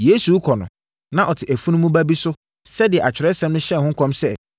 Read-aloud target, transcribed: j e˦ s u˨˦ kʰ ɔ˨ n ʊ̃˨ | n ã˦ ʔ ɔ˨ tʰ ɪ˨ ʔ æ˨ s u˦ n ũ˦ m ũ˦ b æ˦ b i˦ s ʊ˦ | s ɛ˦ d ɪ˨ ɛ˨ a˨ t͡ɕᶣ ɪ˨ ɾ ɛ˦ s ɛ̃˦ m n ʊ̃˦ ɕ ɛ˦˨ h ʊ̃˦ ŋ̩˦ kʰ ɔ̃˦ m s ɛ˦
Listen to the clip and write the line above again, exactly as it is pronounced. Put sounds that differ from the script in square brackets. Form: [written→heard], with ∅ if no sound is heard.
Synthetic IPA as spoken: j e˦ s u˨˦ kʰ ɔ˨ n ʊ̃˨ | n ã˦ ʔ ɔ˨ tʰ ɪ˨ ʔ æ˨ [s→f] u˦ n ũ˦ m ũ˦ b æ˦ b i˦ s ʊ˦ | s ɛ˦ d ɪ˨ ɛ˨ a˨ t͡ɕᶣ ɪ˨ ɾ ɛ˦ s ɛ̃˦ m n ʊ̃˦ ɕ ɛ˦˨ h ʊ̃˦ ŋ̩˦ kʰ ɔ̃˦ m s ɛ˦